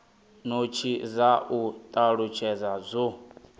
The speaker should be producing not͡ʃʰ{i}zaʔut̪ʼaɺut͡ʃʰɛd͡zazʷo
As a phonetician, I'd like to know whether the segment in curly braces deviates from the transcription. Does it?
no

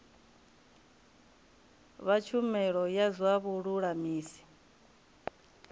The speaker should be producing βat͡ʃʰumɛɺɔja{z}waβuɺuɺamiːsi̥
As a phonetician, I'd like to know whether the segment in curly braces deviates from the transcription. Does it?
no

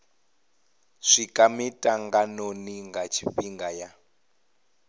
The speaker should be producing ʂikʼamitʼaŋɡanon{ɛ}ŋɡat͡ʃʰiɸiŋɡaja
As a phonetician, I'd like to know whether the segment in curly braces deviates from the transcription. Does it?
yes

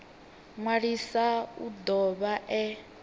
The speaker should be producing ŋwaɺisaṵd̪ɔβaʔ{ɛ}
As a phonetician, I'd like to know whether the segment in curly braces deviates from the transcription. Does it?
no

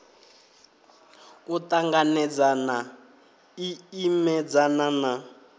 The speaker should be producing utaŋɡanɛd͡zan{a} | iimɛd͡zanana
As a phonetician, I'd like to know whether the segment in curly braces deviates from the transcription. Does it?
no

